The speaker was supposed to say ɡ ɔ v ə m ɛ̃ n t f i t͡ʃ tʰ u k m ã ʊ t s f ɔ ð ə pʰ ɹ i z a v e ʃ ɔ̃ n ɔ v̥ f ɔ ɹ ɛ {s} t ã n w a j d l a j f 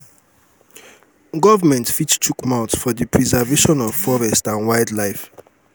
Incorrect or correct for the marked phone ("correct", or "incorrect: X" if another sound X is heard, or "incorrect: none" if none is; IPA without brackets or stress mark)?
correct